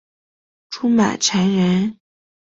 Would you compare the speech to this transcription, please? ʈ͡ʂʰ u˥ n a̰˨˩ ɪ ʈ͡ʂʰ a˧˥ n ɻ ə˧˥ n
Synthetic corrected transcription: ʈ͡ʂʰ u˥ m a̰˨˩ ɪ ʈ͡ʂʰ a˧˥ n ɻ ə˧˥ n